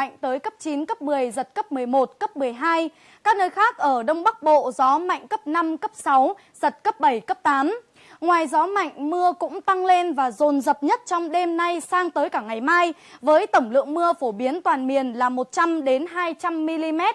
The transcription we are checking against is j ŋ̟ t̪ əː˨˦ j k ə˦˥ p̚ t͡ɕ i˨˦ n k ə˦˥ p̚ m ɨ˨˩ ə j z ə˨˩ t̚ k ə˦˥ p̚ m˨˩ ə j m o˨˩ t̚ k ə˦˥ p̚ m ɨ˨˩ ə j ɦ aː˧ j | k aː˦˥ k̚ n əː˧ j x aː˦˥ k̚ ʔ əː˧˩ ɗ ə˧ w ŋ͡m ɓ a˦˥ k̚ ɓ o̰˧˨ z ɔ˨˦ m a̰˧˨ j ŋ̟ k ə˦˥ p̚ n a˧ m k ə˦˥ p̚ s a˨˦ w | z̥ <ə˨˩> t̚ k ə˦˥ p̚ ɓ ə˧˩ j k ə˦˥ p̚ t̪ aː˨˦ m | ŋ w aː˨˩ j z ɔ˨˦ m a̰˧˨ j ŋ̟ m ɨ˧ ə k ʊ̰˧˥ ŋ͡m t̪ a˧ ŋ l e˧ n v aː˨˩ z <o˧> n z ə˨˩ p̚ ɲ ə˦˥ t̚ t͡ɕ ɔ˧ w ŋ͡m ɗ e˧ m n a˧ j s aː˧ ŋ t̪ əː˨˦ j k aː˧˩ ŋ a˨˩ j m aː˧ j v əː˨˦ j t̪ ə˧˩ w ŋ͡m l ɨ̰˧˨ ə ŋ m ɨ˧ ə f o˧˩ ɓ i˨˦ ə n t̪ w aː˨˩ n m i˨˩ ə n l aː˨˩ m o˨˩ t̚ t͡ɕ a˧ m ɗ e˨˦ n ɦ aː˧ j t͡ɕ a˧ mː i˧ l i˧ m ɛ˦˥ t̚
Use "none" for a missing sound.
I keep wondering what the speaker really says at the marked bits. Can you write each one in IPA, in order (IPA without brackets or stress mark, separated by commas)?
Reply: ə˨˩, o˨˩